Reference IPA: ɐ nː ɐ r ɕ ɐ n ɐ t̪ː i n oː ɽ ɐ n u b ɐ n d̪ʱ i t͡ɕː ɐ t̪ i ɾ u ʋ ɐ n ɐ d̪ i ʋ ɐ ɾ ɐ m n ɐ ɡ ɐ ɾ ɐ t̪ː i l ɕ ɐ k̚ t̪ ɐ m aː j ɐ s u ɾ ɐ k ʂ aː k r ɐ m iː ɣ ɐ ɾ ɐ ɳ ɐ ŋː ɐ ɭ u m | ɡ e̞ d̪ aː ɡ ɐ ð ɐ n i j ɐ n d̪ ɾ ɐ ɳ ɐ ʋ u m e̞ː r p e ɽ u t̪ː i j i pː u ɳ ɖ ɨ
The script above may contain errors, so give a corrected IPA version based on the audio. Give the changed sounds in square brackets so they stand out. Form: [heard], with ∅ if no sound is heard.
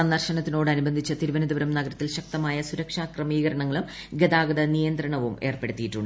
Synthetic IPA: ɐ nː ɐ r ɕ ɐ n ɐ t̪ː i n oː ɽ ɐ n u b ɐ n d̪ʱ i t͡ɕː ɐ t̪ i ɾ u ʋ ɐ n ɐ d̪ i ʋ ɐ ɾ ɐ m n ɐ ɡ ɐ ɾ ɐ t̪ː i l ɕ ɐ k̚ t̪ ɐ m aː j ɐ s u ɾ ɐ k ʂ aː k r ɐ m iː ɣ ɐ ɾ ɐ ɳ ɐ ŋː ɐ ɭ u m | ɡ e̞ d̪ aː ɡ ɐ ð ɐ n i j ɐ n d̪ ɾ ɐ ɳ ɐ ʋ u m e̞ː r p e ɽ u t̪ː i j i [ʈː] u ɳ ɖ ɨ